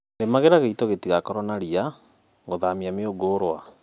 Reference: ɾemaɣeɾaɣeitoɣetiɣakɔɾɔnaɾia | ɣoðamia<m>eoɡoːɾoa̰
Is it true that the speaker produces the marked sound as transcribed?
yes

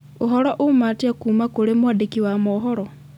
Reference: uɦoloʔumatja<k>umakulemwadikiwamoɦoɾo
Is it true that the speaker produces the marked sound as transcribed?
yes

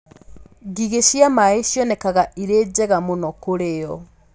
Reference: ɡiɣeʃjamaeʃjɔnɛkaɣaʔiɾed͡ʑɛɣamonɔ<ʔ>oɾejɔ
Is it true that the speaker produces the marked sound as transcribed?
no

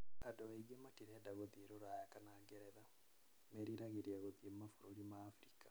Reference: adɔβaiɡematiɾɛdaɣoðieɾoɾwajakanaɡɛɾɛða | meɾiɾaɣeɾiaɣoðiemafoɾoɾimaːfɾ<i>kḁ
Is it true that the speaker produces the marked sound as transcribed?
yes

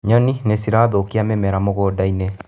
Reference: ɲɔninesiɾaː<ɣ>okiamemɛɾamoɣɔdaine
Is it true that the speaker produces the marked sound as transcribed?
no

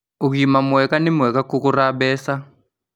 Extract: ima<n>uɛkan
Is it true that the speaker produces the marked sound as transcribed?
no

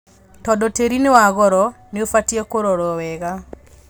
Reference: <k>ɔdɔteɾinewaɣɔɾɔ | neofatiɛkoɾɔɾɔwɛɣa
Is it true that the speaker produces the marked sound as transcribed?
no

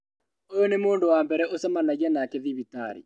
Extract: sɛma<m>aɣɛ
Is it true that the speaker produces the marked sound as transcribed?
no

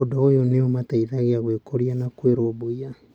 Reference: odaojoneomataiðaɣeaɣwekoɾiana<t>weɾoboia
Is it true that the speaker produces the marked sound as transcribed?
no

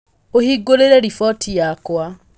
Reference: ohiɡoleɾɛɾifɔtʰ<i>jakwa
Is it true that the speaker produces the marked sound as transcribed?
yes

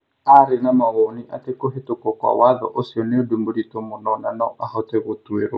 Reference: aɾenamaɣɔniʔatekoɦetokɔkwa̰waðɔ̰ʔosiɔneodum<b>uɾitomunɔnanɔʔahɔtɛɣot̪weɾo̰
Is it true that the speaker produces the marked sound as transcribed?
yes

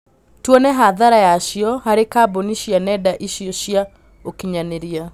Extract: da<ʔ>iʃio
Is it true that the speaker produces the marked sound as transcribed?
yes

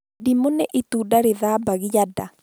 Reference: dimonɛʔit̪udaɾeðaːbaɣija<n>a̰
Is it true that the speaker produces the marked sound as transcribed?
no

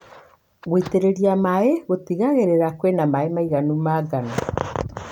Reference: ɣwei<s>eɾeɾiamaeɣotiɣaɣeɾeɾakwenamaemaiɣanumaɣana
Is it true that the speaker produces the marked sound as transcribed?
no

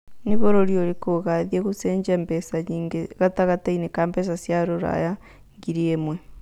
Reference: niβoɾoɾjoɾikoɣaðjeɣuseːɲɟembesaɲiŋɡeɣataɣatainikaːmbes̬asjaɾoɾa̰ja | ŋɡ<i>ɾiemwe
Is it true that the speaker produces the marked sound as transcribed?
yes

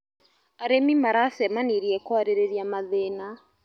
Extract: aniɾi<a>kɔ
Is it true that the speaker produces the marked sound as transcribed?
no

